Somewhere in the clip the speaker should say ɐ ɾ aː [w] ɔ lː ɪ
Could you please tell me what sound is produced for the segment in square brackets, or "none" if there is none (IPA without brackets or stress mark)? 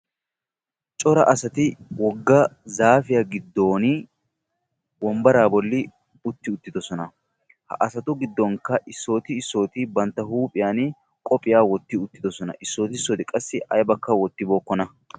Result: b